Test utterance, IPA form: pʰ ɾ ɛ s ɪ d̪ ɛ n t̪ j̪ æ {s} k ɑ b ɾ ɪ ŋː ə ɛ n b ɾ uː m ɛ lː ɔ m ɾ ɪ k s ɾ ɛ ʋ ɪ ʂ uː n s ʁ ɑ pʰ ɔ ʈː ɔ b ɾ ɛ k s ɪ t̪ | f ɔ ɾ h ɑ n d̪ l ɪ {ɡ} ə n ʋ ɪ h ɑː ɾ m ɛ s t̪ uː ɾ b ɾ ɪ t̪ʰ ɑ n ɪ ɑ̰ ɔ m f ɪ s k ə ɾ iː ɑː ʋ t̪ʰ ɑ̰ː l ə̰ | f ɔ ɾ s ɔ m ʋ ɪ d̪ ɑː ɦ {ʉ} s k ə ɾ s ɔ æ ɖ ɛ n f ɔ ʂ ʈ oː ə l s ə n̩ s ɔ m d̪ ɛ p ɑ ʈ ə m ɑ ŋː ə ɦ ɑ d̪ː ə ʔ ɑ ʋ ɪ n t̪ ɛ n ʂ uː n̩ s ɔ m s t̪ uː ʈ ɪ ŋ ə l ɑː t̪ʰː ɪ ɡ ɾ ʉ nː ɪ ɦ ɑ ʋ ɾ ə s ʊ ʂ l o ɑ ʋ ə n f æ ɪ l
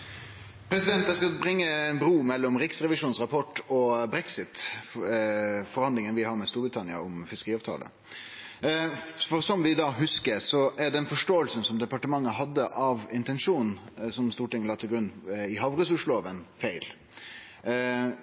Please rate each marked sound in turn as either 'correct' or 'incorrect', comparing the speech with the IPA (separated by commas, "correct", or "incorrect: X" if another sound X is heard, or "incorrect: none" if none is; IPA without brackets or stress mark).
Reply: correct, incorrect: ŋ, correct